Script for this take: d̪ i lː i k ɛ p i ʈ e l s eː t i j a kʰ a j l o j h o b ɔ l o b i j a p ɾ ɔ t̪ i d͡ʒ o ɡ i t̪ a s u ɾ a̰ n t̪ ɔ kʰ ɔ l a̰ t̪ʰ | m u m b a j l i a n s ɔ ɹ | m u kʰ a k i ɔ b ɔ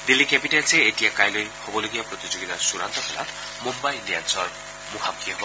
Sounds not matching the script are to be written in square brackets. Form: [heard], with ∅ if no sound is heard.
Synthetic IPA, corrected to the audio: d̪ i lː i k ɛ p i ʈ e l s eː t i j a [k] a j l o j h o b ɔ l o [ɡ] i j a p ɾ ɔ t̪ i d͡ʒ o ɡ i t̪ a s u ɾ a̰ n t̪ ɔ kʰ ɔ l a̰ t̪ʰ | m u m b a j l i a n s ɔ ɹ | m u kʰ a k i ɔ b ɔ

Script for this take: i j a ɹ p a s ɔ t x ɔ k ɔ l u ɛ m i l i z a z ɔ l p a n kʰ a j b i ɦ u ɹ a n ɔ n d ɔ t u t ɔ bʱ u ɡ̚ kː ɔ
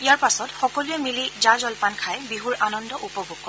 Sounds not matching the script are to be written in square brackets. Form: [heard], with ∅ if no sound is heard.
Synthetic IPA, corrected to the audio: i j a ɹ p a s ɔ t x ɔ k ɔ l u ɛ m i l i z a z ɔ l p a n kʰ a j b i ɦ u ɹ a n ɔ n d ɔ [ʔ] u [p] ɔ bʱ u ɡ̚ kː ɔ

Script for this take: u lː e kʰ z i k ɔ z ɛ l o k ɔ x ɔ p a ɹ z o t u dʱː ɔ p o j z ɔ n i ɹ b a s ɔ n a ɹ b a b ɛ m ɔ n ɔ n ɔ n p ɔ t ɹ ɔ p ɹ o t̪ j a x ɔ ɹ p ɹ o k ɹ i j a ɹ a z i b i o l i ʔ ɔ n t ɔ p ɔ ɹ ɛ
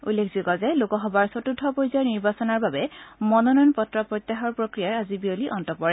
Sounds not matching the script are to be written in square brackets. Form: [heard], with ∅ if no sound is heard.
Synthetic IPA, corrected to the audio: u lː e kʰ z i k ɔ z ɛ l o k ɔ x ɔ [b] a ɹ [s] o t u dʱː ɔ p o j z ɔ n i ɹ b a s ɔ n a ɹ b a b ɛ m ɔ n ɔ n ɔ n p ɔ t ɹ ɔ p ɹ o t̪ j a x ɔ ɹ p ɹ o k ɹ i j a ɹ a z i b i o l i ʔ ɔ n t ɔ p ɔ ɹ ɛ

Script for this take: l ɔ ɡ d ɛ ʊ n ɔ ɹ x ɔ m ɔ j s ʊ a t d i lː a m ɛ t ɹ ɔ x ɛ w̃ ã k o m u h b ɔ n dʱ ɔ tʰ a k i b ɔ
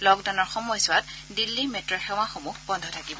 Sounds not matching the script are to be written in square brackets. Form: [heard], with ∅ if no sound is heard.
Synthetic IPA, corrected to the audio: l ɔ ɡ d [a] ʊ n ɔ ɹ x ɔ m ɔ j s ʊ a t d i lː [i] m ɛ t ɹ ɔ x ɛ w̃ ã [x] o m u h b ɔ n dʱ ɔ tʰ a k i b ɔ

